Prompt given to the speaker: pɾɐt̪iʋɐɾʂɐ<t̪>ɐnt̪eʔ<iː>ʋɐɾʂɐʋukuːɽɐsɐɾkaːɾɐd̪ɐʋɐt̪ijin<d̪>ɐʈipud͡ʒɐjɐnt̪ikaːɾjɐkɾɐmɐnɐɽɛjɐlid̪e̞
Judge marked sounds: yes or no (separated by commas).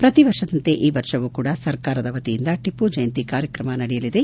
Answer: no, yes, yes